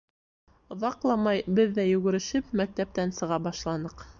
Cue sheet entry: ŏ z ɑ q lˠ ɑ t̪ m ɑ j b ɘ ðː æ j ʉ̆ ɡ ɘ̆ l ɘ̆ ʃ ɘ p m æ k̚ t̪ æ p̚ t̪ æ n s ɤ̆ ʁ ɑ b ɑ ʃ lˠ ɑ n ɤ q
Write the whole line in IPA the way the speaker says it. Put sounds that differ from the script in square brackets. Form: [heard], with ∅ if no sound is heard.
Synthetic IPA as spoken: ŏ [ð] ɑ q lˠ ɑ [∅] m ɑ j b ɘ ðː æ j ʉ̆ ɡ ɘ̆ [ɾ] ɘ̆ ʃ ɘ p m æ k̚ t̪ æ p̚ t̪ æ n s ɤ̆ ʁ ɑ b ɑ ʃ lˠ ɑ n ɤ q